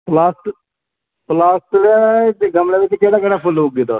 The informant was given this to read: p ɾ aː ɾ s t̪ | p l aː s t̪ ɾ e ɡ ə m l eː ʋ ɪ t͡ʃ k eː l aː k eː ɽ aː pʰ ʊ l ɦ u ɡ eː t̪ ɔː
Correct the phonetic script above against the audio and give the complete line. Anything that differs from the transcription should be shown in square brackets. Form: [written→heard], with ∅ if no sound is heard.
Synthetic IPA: p [ɾ→l] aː [ɾ→∅] s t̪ | p l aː s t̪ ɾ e ɡ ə m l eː ʋ ɪ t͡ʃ k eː [l→ɽ] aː k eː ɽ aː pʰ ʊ l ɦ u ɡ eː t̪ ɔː